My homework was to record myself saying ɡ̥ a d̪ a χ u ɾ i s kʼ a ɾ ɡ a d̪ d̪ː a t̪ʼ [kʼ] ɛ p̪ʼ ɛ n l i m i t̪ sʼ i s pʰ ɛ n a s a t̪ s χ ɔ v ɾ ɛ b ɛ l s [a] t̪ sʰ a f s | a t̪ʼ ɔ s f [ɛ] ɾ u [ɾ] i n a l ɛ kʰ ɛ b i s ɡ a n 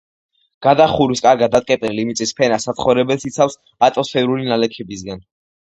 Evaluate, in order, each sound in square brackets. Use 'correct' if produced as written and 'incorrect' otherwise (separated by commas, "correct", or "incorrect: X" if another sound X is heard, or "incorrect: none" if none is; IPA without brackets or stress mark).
correct, incorrect: i, correct, incorrect: l